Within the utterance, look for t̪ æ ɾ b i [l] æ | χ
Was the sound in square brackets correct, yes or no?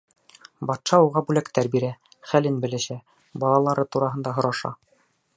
no